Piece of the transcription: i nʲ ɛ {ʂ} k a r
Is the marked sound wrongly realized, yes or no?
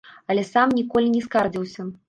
yes